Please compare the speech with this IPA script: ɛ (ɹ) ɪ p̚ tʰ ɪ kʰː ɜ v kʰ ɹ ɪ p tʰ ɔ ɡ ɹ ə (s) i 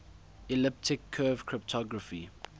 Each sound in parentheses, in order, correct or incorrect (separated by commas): incorrect, incorrect